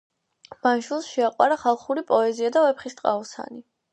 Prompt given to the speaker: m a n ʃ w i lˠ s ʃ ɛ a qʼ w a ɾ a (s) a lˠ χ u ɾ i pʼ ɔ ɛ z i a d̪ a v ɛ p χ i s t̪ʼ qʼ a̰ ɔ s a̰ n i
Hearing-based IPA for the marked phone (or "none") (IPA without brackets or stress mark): χ